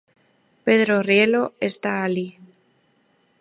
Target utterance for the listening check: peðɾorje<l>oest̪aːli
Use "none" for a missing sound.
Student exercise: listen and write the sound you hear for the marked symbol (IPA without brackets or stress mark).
l